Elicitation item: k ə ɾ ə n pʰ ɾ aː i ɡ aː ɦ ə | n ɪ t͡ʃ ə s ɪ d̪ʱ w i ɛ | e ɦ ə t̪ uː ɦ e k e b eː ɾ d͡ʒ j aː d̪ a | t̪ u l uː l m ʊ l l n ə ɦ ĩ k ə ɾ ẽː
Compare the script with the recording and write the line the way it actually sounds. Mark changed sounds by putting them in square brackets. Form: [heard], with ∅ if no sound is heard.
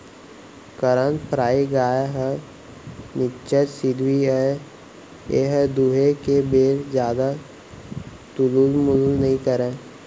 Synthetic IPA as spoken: k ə ɾ ə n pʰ ɾ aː i ɡ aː ɦ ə | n ɪ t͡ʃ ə s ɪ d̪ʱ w i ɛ | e ɦ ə [d̪] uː ɦ e k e b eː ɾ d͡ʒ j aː d̪ a | t̪ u l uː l m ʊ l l n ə ɦ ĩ k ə ɾ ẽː

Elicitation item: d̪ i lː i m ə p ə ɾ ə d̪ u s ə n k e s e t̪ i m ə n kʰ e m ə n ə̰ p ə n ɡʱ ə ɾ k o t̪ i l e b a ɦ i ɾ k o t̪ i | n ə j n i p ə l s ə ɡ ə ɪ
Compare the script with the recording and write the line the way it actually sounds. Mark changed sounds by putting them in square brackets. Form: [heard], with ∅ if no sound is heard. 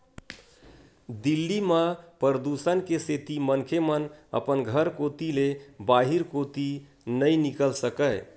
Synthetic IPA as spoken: d̪ i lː i m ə p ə ɾ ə d̪ u s ə n k e s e t̪ i m ə n kʰ e m ə n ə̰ p ə n ɡʱ ə ɾ k o t̪ i l e b a ɦ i ɾ k o t̪ i | n ə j n i [k] ə l s ə [k] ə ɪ

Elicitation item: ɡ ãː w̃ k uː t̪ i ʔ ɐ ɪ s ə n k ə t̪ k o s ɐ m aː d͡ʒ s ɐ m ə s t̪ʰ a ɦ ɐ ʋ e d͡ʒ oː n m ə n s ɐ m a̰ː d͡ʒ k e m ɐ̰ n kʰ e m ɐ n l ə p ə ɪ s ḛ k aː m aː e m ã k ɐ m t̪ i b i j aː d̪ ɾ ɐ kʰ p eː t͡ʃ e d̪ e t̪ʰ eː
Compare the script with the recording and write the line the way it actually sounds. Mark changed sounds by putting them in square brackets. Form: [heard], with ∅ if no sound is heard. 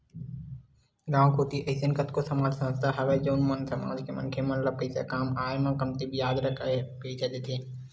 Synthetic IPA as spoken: ɡ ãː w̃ k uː t̪ i ʔ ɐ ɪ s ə n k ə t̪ k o s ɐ m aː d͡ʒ s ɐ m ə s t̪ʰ a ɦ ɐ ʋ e d͡ʒ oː n m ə n s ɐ m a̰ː d͡ʒ k e m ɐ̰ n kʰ e m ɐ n l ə p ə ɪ s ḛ k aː m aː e m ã k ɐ m t̪ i b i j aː d̪ ɾ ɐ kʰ p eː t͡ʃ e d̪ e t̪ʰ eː

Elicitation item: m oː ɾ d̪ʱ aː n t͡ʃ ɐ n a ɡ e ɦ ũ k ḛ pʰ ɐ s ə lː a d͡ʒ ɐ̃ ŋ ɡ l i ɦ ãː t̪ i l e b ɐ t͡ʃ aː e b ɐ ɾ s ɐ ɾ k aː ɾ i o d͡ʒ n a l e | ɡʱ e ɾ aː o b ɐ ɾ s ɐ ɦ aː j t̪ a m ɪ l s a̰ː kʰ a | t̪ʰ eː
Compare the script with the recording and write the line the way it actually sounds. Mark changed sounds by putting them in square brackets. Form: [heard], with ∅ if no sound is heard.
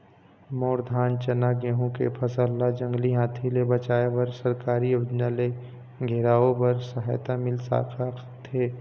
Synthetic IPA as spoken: m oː ɾ d̪ʱ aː n t͡ʃ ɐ n a ɡ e ɦ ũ k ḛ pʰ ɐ s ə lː a d͡ʒ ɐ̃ ŋ ɡ l i ɦ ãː [t̪ʰ] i l e b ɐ t͡ʃ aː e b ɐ ɾ s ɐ ɾ k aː ɾ i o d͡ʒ n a l e | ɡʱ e ɾ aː o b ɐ ɾ s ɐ ɦ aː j t̪ a m ɪ l s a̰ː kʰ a | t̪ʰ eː

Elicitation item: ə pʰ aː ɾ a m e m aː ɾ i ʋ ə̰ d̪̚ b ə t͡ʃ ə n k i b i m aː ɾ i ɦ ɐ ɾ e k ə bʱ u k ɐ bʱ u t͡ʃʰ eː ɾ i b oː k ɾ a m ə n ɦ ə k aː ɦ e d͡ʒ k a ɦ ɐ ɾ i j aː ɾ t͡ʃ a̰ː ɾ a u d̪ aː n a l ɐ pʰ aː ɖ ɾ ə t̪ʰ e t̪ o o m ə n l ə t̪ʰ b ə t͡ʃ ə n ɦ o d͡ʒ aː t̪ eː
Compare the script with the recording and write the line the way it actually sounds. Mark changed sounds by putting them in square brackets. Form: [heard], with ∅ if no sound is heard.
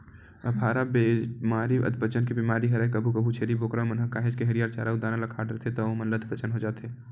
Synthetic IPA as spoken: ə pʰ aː ɾ a [b] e m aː ɾ i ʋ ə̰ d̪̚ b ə t͡ʃ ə n k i b i m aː ɾ i ɦ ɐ ɾ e k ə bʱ u k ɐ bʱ u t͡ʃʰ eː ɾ i b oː k ɾ a m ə n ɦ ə k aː ɦ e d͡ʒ k [e] ɦ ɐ ɾ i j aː ɾ t͡ʃ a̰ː ɾ a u d̪ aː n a l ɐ [kʰ] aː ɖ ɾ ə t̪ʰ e t̪ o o m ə n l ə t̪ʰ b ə t͡ʃ ə n ɦ o d͡ʒ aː t̪ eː

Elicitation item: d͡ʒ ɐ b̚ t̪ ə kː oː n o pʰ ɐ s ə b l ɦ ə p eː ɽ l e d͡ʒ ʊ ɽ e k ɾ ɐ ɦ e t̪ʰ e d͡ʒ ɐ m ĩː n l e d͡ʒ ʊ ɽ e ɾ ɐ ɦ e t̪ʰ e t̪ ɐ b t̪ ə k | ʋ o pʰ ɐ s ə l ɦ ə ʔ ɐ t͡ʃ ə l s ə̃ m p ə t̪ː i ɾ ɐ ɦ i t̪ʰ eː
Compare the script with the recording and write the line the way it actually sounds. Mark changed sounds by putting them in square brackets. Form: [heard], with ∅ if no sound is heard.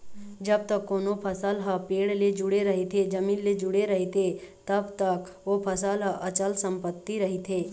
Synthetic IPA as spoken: d͡ʒ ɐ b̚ t̪ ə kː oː n o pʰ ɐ s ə [∅] l ɦ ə p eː ɽ l e d͡ʒ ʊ ɽ e [∅] ɾ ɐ ɦ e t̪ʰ e d͡ʒ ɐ m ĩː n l e d͡ʒ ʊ ɽ e ɾ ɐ ɦ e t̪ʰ e t̪ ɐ b t̪ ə k | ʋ o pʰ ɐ s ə l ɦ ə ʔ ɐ t͡ʃ ə l s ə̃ m p ə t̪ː i ɾ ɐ ɦ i t̪ʰ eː

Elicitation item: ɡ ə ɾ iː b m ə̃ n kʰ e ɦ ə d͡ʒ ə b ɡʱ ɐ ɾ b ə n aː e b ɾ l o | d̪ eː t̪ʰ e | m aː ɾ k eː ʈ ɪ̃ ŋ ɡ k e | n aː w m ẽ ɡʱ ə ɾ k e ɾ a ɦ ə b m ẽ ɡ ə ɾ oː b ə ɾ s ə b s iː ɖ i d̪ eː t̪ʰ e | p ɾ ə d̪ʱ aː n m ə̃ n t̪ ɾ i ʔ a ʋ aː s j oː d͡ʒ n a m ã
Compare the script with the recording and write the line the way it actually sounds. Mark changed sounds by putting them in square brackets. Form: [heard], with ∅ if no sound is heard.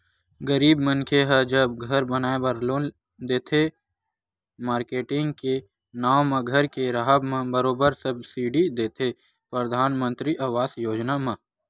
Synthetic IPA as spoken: ɡ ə ɾ iː b m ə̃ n kʰ e ɦ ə d͡ʒ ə b ɡʱ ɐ ɾ b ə n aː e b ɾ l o | d̪ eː t̪ʰ e | m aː ɾ k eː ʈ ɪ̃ ŋ ɡ k e | n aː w m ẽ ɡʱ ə ɾ k e ɾ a ɦ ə b m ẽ [b] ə ɾ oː b ə ɾ s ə b s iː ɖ i d̪ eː t̪ʰ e | p ɾ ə d̪ʱ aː n m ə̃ n t̪ ɾ i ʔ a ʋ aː s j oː d͡ʒ n a m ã

